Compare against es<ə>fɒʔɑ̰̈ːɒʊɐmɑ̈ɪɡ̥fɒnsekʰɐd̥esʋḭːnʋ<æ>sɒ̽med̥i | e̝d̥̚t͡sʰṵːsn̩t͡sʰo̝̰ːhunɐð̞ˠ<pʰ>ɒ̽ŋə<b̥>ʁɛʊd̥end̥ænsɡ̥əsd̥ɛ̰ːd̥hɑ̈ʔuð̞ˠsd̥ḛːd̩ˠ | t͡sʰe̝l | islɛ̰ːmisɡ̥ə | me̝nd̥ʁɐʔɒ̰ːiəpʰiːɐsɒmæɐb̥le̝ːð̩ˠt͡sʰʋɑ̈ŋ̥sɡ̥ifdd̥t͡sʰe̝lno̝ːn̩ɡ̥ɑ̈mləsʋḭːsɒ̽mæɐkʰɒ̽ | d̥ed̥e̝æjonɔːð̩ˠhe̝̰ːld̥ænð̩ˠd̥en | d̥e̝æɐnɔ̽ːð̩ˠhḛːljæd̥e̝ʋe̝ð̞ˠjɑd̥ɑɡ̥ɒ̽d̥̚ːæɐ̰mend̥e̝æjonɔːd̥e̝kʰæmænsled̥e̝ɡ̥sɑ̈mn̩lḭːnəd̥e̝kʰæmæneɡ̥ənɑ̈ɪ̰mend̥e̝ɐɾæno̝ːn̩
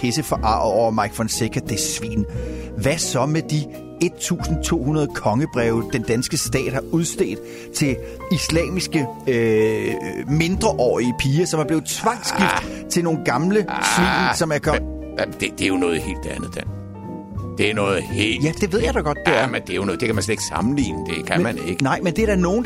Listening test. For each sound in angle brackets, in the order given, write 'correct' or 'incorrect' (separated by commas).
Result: correct, correct, incorrect, correct